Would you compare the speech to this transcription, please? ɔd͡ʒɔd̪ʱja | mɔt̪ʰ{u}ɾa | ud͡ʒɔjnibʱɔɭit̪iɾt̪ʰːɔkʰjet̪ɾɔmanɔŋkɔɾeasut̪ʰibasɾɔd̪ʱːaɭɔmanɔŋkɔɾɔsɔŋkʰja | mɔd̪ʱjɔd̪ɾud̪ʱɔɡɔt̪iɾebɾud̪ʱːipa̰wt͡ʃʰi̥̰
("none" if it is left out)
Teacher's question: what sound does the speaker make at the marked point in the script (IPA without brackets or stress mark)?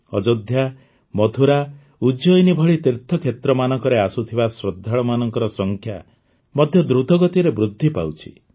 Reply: u